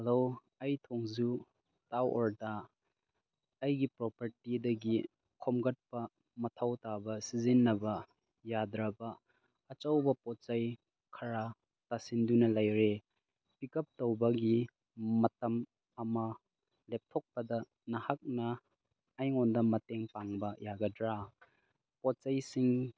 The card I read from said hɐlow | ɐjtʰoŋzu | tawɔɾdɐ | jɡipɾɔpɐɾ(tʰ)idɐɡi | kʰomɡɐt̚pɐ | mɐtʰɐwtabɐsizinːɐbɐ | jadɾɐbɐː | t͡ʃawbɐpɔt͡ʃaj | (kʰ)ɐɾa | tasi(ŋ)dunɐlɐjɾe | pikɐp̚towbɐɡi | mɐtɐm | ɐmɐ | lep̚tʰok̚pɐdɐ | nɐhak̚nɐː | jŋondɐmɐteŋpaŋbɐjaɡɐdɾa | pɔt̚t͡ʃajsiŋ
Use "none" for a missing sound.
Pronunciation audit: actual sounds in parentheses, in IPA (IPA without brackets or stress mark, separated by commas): t, kʰ, n